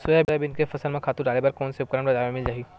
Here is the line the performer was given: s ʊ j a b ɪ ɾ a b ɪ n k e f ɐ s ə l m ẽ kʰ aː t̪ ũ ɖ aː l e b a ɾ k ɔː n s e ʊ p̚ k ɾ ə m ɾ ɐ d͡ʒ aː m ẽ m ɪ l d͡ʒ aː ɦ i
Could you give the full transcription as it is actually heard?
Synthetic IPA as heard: s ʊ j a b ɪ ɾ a b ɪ n k e f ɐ s ə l m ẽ kʰ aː t̪ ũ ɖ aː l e b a ɾ k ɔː n s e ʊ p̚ k ɾ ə m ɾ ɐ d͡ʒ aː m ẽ m ɪ l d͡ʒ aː ɦ i

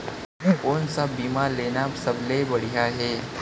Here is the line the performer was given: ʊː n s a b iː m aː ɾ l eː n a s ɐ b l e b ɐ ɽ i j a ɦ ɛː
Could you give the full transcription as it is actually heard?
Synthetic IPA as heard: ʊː n s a b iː m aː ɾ l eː n a s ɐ b l e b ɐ ɽ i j a ɦ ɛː

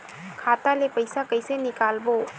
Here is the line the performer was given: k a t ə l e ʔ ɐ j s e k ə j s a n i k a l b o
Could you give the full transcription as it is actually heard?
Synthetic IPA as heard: kʰ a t a l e p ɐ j s a k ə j s e n i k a l b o

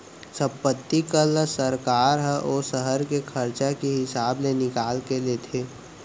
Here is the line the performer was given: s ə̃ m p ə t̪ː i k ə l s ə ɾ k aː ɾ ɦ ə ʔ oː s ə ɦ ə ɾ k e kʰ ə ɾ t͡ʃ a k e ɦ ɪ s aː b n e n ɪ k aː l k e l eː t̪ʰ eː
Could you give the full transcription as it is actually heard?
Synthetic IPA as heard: s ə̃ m p ə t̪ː i k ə l s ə ɾ k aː ɾ ɦ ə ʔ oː s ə ɦ ə ɾ k e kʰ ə ɾ t͡ʃ a k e ɦ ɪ s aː b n e n ɪ k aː l k e l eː t̪ʰ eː

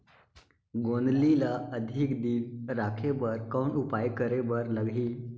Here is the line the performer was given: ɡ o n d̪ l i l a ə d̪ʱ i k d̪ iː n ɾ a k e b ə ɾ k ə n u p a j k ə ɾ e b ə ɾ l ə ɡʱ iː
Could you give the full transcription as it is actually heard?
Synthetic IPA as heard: ɡ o n d̪ l i l a ə d̪ʱ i k d̪ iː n ɾ a kʰ e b ə ɾ k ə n u p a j k ə ɾ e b ə ɾ l ə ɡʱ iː

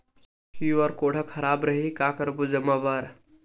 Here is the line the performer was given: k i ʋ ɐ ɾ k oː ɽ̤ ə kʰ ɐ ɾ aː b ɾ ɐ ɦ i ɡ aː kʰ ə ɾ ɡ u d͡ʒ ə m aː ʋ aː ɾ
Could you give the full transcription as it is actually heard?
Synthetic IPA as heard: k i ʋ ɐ ɾ k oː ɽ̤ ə kʰ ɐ ɾ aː b ɾ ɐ ɦ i k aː k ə ɾ b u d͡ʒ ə m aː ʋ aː ɾ

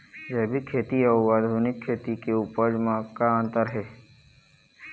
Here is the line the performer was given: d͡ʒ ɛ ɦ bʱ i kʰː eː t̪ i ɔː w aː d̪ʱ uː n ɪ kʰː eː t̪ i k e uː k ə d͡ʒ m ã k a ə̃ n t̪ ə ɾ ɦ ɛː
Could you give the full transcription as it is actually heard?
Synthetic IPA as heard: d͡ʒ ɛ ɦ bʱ i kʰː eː t̪ i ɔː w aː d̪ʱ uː n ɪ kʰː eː t̪ i k e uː p ə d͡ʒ m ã k a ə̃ n t̪ ə ɾ ɦ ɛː

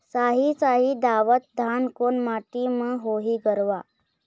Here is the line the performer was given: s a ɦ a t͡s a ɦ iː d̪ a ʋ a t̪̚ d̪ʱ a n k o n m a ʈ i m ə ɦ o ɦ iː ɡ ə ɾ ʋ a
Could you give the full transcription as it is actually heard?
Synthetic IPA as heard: s a ɦ i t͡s a ɦ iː d̪ a ʋ ə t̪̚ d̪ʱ a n k o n m a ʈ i m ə ɦ o ɦ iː ɡ ə ɾ ʋ a

